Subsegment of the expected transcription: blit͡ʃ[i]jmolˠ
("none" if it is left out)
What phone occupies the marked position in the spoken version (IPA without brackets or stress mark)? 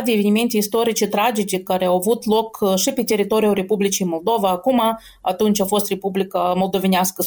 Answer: i